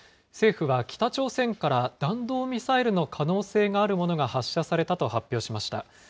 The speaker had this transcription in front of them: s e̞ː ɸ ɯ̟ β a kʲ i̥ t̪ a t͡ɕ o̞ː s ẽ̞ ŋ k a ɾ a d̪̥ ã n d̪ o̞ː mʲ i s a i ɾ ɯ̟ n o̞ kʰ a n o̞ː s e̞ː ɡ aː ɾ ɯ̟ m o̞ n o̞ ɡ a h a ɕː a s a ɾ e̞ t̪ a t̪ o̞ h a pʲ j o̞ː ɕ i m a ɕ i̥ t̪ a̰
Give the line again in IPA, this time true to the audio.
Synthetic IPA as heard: s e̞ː ɸ ɯ̟ β a kʲ i̥ t̪ a t͡ɕ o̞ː s ẽ̞ ŋ k a ɾ a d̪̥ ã n d̪ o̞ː mʲ i s a i ɾ ɯ̟ n o̞ kʰ a n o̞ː s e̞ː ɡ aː ɾ ɯ̟ m o̞ n o̞ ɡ a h a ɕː a s a ɾ e̞ t̪ a t̪ o̞ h a pʲ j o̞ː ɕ i m a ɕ i̥ t̪ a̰